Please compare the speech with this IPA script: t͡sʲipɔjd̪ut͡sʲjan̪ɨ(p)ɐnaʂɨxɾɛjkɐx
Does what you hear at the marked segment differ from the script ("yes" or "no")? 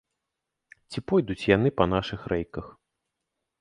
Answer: no